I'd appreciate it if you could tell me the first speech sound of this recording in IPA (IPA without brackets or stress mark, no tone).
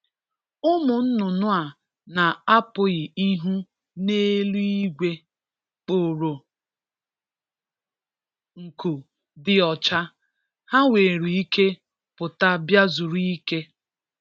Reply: ʊ